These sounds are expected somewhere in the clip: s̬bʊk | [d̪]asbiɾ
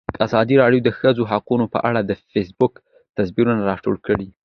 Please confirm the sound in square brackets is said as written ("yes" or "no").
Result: no